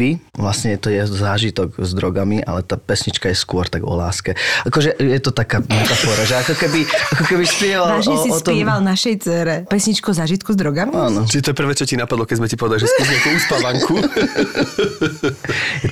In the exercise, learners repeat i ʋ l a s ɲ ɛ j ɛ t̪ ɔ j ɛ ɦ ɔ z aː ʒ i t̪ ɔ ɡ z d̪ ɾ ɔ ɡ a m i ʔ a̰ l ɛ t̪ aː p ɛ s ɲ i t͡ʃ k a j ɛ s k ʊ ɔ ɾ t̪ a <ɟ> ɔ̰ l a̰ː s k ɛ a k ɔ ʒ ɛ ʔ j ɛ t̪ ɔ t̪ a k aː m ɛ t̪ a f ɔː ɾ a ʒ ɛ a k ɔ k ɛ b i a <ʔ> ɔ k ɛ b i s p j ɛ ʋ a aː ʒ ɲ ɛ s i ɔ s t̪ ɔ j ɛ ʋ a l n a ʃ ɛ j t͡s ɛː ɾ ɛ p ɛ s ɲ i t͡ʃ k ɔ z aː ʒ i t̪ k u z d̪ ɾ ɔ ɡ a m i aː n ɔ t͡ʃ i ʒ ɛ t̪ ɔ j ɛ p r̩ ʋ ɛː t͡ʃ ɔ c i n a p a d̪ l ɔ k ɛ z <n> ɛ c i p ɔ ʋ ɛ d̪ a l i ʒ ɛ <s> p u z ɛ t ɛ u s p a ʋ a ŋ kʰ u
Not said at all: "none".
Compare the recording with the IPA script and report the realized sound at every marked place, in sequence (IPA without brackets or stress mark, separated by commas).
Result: ɡ, k, m, s